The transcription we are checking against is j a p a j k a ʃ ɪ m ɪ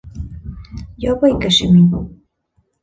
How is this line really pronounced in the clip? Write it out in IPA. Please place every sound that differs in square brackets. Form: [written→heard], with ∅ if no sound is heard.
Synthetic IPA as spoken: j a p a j k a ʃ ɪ m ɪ